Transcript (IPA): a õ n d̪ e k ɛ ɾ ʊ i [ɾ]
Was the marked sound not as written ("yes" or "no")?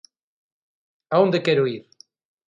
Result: no